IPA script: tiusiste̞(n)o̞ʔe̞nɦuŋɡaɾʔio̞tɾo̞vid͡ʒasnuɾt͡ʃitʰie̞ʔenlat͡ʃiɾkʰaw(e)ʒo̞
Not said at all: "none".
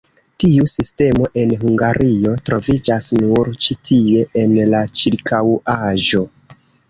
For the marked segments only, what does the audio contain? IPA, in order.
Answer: m, a

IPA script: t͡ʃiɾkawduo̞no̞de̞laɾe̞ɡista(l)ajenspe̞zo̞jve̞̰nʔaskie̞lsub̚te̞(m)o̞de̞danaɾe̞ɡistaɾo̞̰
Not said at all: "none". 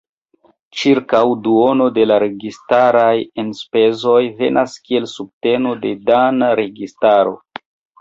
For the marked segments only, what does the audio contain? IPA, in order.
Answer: ɾ, n

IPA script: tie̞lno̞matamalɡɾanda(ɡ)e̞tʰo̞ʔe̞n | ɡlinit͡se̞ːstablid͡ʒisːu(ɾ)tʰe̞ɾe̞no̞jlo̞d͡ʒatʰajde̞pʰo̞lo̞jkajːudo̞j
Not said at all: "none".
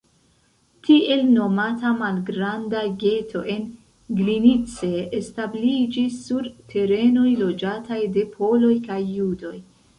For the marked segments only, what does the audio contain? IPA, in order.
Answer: ɡ, ɾ

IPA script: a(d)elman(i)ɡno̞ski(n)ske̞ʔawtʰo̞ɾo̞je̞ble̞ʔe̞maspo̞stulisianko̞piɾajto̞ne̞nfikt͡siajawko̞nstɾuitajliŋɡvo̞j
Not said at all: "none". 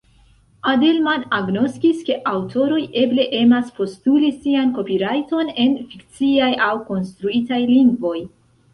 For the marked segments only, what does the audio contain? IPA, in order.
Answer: d, a, none

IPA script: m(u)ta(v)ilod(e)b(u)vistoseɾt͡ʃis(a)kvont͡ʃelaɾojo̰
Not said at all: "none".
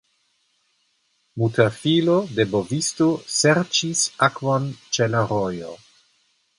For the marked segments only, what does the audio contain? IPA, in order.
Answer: u, f, e, o, a

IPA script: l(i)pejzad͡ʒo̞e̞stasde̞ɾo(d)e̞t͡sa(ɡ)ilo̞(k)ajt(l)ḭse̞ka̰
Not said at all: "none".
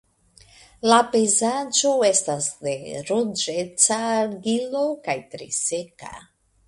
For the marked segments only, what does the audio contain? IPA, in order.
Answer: a, d͡ʒ, ɡ, k, ɾ

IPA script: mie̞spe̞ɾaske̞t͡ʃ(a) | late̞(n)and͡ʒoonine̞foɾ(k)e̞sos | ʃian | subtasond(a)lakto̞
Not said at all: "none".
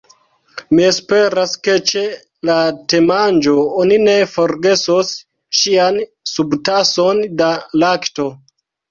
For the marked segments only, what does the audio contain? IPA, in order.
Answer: e, m, ɡ, a

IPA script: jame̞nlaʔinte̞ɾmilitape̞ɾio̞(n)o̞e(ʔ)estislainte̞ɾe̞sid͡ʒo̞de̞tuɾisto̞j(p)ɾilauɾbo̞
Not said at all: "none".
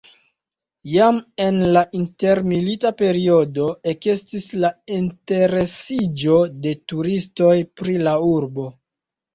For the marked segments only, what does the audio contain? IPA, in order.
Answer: d, k, p

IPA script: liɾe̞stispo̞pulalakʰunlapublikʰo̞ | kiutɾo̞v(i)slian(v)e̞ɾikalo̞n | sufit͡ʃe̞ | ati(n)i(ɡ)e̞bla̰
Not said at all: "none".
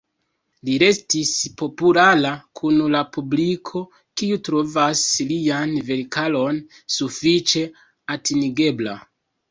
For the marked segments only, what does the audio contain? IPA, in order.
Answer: a, v, n, ɡ

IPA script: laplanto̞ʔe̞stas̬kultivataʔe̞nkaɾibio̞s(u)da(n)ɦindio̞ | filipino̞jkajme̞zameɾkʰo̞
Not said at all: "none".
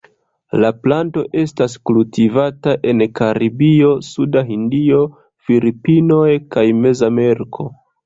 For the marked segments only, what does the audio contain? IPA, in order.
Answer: u, none

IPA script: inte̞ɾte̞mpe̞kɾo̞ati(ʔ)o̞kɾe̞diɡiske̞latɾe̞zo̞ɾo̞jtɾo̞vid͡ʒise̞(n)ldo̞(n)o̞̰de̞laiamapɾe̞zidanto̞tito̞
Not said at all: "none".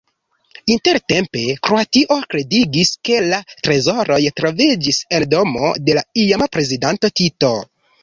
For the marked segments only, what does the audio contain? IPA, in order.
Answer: ʔ, none, m

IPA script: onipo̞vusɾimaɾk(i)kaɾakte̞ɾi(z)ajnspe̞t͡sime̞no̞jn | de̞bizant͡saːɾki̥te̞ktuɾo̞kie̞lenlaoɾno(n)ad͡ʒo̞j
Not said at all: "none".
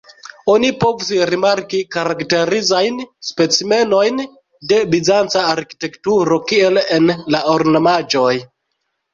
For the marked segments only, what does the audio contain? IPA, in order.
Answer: i, z, m

